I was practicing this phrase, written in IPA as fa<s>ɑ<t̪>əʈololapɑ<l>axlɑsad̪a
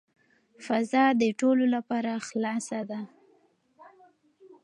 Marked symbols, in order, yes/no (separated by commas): no, no, no